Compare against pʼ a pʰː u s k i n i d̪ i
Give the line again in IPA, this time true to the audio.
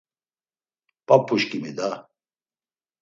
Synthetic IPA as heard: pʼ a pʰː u ʃ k i m i d̪ a